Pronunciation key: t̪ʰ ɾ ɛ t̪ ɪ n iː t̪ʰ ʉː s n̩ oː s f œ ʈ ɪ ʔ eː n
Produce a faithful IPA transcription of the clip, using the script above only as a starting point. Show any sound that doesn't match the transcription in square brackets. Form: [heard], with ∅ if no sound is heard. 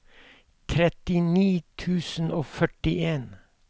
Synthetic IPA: t̪ʰ ɾ ɛ t̪ ɪ n iː t̪ʰ ʉː s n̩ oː [∅] f œ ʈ ɪ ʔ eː n